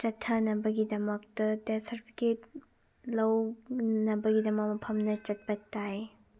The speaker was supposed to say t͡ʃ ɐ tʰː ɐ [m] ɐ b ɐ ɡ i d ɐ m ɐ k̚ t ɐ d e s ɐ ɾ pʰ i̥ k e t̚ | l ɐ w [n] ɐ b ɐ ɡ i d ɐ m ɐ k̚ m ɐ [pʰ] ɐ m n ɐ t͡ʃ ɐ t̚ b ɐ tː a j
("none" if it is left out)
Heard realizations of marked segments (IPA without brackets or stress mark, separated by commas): n, n, pʰ